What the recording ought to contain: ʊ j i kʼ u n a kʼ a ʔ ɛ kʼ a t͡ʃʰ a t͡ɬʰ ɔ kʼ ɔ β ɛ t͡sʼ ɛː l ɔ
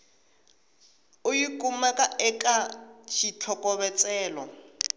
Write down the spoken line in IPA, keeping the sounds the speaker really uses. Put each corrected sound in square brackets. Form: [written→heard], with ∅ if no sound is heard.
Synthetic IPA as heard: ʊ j i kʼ u [n→m] a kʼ a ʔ ɛ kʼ a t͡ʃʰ [a→i] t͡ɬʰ ɔ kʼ ɔ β ɛ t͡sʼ ɛː l ɔ